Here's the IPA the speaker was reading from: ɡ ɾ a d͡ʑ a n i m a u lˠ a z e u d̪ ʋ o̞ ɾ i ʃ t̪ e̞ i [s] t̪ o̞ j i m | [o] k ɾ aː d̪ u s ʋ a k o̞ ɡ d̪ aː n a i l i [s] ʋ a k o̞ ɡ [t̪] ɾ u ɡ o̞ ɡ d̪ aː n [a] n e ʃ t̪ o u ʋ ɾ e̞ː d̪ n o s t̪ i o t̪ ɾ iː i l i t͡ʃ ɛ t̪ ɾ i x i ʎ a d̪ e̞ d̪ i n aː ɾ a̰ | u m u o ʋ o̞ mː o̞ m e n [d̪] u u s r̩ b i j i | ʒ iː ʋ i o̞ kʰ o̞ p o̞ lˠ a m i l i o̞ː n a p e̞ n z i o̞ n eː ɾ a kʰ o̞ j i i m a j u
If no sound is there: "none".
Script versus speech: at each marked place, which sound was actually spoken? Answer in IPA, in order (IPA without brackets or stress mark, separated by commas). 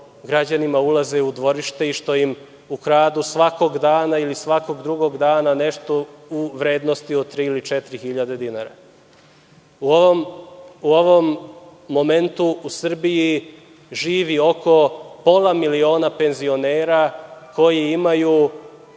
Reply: ʃ, u, s, d̪, a, t̪